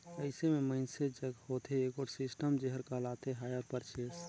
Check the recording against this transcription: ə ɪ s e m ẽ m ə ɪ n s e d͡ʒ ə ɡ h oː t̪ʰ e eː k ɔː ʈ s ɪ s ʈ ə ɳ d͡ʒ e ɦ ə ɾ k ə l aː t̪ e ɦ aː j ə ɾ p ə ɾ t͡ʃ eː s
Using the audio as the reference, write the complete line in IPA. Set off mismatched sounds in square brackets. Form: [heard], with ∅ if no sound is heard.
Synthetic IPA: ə ɪ s e m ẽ m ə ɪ n s e d͡ʒ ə ɡ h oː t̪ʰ e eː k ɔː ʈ s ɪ s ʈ ə [m] d͡ʒ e ɦ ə ɾ k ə l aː t̪ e ɦ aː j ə ɾ p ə ɾ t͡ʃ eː s

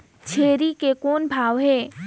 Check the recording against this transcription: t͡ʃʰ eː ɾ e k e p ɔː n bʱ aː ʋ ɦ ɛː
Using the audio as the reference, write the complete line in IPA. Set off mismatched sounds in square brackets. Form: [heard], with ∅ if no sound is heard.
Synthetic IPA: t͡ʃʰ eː ɾ [i] k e [k] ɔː n bʱ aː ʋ ɦ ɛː

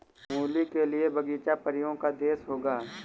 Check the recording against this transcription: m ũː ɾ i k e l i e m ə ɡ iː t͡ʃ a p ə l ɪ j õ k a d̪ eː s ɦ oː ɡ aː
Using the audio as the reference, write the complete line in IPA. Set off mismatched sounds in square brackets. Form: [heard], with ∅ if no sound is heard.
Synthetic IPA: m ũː [l] i k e l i e [b] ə ɡ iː t͡ʃ a p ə [ɾ] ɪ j õ k a d̪ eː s ɦ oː ɡ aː

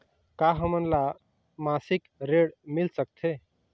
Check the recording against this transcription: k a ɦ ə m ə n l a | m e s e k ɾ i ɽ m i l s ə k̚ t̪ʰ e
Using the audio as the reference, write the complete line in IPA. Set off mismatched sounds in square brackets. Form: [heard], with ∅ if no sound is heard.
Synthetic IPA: k a ɦ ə m ə n l a | m [a] s [i] k ɾ [e] ɽ m i l s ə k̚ t̪ʰ e

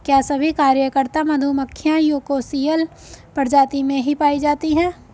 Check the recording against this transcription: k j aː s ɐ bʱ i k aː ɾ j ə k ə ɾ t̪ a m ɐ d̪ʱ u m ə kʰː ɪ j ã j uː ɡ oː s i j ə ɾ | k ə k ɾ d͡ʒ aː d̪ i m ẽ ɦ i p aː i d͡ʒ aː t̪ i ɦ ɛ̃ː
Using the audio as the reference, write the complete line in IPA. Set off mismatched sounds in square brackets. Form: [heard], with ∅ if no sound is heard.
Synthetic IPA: k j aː s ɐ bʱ i k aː ɾ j ə k ə ɾ t̪ a m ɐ d̪ʱ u m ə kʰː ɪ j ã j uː [k] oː s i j ə [l] | [p] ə [∅] ɾ d͡ʒ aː [t̪] i m ẽ ɦ i p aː i d͡ʒ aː t̪ i ɦ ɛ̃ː

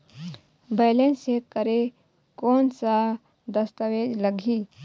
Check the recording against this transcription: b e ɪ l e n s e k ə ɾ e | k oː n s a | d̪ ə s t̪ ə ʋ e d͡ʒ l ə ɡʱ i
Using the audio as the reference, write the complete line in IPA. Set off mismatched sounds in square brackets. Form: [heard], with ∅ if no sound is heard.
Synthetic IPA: b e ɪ l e n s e k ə ɾ e | k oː n s a | d̪ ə s t̪ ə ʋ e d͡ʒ l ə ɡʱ i

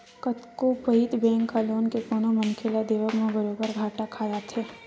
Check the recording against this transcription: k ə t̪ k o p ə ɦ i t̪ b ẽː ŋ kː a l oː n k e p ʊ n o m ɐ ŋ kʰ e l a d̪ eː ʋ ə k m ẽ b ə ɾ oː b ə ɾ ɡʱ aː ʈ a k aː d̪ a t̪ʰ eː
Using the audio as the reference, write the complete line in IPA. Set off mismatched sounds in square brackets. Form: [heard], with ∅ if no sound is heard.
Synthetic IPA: k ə t̪ k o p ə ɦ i t̪ b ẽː ŋ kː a l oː n k e p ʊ n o m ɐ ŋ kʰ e l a d̪ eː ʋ ə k m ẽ b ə ɾ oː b ə ɾ ɡʱ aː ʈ a [kʰ] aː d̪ a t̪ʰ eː

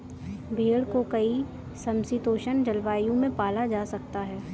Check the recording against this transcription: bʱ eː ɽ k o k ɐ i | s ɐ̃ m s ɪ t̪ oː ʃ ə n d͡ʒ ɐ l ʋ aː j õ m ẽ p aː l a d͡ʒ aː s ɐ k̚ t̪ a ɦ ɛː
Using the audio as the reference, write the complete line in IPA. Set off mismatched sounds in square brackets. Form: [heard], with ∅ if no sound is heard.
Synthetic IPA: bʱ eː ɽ k o k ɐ i | s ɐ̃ m s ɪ t̪ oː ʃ ə n d͡ʒ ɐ l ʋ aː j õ m ẽ p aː l a d͡ʒ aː s ɐ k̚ t̪ a ɦ ɛː

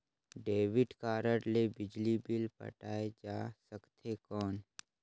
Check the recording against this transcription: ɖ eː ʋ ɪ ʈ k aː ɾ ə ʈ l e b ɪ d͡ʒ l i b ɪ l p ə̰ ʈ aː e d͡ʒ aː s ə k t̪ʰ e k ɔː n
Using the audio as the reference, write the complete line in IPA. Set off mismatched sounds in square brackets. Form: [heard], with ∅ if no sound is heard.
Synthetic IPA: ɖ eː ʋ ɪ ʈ k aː ɾ ə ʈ l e b ɪ d͡ʒ l i b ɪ l p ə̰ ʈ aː e d͡ʒ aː s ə k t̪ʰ e k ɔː n

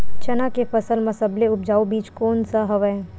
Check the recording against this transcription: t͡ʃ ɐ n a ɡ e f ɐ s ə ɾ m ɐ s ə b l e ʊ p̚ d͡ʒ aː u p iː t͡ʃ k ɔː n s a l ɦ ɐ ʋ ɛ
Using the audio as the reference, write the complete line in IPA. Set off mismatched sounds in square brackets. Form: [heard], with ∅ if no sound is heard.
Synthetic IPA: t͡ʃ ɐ n a [k] e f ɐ s ə [l] m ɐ s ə b l e ʊ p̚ d͡ʒ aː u [b] iː t͡ʃ k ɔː n s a [∅] ɦ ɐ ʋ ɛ

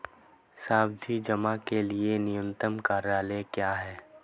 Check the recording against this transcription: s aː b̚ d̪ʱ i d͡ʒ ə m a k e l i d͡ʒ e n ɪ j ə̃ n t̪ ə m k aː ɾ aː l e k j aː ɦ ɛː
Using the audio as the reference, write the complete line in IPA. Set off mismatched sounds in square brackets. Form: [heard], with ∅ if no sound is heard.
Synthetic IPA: s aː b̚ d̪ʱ i d͡ʒ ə m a k e l i [∅] e n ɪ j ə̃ n t̪ ə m k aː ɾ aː l e k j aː ɦ ɛː

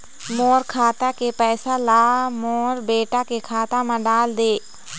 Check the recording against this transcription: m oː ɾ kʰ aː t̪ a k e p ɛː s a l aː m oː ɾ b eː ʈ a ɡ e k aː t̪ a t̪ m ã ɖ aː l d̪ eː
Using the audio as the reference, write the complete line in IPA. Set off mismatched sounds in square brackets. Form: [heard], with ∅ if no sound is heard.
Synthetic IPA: m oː ɾ kʰ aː t̪ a k e p ɛː s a l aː m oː ɾ b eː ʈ a [k] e [kʰ] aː t̪ a [∅] m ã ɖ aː l d̪ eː

